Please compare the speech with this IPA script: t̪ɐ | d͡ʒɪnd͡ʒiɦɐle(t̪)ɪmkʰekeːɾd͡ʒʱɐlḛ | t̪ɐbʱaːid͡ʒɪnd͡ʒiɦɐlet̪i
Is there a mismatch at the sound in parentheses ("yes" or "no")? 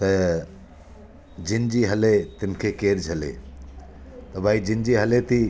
no